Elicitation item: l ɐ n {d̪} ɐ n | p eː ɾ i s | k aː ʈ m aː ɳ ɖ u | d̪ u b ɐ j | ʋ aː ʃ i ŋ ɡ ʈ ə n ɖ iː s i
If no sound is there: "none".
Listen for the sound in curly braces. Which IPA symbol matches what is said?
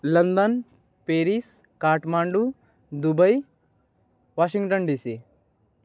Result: d̪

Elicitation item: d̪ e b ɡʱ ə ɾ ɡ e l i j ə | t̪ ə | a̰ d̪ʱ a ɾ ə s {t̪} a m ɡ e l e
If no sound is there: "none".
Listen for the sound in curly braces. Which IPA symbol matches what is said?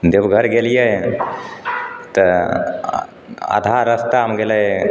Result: t̪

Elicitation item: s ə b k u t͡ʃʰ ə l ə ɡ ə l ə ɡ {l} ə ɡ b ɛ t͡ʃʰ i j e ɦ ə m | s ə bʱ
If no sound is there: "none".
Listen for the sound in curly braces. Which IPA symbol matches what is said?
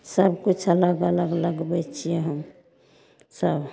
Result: l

